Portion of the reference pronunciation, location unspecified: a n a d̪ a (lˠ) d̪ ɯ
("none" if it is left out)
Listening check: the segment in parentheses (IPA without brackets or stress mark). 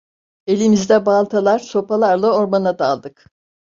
lˠ